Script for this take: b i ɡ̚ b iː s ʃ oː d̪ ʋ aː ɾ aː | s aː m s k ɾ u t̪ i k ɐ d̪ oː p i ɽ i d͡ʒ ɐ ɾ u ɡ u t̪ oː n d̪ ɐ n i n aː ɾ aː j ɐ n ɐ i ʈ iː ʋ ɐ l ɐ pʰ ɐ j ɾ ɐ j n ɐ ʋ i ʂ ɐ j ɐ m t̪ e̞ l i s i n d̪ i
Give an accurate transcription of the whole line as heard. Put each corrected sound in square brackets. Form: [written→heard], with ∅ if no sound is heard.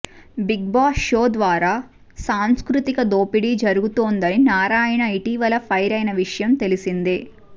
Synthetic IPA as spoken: b i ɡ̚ b [iː→aː] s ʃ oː d̪ ʋ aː ɾ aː | s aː m s k ɾ u t̪ i k ɐ d̪ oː p i ɽ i d͡ʒ ɐ ɾ u ɡ u t̪ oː n d̪ ɐ n i n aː ɾ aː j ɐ n ɐ i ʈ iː ʋ ɐ l ɐ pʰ ɐ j ɾ ɐ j n ɐ ʋ i ʂ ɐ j ɐ m t̪ e̞ l i s i n d̪ i